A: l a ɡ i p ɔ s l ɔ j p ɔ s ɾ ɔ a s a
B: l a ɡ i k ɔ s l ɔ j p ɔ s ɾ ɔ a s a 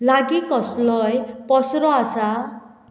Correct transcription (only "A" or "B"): B